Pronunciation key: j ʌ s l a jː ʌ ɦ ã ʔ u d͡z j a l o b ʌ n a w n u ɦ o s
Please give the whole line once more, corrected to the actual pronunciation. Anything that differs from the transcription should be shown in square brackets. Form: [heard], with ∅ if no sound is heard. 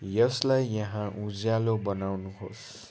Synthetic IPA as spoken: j ʌ s l a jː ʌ ɦ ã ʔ u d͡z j a l o b ʌ n a w n u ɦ o s